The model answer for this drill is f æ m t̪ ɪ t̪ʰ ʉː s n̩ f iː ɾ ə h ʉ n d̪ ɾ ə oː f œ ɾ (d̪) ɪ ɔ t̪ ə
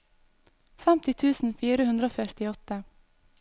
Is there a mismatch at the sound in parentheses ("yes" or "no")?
yes